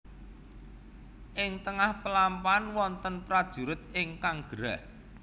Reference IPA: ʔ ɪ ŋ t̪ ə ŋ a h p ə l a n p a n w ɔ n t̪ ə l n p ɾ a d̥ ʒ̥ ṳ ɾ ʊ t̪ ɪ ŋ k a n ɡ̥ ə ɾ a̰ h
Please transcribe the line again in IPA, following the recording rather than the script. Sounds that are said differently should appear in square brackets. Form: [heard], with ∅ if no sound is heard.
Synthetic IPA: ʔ ɪ ŋ t̪ ə ŋ a h p ə l a [m] p a n w ɔ n t̪ ə [∅] n p ɾ a d̥ ʒ̥ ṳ ɾ ʊ t̪ ɪ ŋ k a [ŋ] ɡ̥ ə ɾ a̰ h